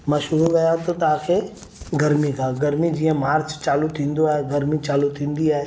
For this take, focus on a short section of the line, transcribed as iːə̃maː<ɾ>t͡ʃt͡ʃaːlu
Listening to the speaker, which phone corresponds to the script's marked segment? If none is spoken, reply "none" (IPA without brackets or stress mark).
ɾ